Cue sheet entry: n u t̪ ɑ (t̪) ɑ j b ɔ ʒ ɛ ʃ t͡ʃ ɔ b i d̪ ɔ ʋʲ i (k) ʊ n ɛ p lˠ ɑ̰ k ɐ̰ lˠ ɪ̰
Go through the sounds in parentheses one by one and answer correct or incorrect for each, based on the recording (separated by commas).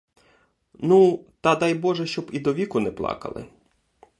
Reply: incorrect, correct